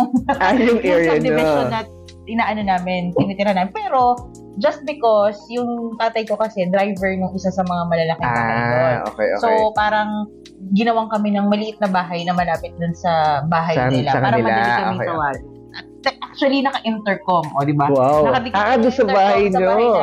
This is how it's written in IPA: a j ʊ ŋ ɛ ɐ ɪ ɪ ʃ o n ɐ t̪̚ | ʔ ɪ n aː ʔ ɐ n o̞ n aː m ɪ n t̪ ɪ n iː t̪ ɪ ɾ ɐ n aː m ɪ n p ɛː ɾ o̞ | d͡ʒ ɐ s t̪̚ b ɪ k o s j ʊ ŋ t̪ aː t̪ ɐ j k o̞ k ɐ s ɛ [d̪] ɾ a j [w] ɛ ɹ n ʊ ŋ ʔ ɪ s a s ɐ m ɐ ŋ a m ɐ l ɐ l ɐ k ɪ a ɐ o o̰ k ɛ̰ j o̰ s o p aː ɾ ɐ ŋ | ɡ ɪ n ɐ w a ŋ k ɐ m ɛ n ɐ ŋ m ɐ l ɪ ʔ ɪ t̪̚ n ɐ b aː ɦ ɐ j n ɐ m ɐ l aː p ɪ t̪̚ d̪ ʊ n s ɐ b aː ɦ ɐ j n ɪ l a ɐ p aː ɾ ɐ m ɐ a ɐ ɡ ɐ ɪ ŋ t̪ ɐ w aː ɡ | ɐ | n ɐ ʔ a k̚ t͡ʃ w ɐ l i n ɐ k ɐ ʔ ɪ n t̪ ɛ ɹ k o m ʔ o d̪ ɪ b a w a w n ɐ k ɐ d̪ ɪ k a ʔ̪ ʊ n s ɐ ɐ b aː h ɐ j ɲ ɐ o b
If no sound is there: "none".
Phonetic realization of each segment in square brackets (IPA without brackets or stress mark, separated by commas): d̪, v